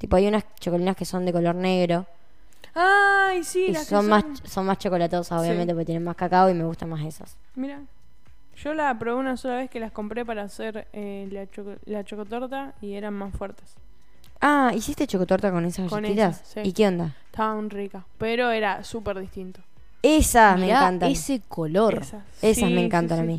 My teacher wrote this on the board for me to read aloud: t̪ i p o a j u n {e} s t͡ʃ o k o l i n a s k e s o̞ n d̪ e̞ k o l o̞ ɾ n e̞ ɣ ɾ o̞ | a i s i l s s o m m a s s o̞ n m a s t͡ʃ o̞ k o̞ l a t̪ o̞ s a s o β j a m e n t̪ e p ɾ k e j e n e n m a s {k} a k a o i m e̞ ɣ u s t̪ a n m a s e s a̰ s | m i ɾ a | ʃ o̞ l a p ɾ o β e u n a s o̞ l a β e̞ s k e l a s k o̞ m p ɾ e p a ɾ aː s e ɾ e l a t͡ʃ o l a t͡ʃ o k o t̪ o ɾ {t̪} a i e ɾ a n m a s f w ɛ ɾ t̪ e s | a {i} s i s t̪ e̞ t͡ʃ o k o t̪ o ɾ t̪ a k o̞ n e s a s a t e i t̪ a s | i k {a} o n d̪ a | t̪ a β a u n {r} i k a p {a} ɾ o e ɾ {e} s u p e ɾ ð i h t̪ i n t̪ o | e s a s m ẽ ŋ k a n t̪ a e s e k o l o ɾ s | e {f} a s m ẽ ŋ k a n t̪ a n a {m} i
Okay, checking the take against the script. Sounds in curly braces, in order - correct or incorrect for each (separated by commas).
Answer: incorrect, correct, correct, correct, incorrect, correct, incorrect, incorrect, incorrect, correct